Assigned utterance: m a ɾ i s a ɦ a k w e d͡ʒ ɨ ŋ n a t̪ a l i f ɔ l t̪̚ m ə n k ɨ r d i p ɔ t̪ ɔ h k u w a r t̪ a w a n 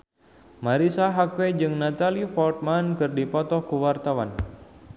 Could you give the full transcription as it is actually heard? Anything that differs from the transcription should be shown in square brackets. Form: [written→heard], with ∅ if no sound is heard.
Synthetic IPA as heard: m a ɾ i s a ɦ a k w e d͡ʒ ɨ ŋ n a t̪ a l i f ɔ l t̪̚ m [ə→a] n k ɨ r d i p ɔ t̪ ɔ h k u w a r t̪ a w a n